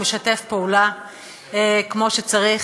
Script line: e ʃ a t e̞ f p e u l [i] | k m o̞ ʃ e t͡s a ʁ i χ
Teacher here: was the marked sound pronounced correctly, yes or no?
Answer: no